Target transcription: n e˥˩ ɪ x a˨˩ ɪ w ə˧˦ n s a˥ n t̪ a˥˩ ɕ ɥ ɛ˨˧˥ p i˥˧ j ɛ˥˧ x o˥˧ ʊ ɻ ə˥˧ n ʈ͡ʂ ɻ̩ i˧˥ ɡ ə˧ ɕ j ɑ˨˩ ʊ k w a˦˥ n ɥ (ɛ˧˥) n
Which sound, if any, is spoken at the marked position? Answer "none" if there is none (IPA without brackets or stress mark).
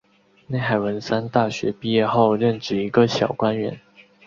ɛ˧˥